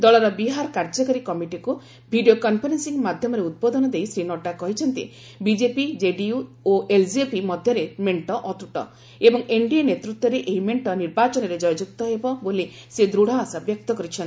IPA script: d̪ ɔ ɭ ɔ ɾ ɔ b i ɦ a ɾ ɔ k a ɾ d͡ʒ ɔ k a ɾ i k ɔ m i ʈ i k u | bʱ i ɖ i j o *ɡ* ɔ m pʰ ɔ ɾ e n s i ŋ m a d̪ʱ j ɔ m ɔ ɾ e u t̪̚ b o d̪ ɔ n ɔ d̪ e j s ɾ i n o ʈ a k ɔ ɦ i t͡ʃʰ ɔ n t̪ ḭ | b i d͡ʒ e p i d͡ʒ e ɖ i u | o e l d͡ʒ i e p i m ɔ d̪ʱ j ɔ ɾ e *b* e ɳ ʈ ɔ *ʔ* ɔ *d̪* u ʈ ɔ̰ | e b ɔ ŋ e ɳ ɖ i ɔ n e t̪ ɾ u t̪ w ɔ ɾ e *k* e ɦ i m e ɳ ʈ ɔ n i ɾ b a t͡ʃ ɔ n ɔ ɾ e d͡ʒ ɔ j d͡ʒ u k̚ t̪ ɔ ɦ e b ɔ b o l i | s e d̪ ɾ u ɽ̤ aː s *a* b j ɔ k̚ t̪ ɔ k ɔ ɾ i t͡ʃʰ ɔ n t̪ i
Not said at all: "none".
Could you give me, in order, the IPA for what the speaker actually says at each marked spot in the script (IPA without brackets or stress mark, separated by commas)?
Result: k, m, ʔ, t̪, ʔ, a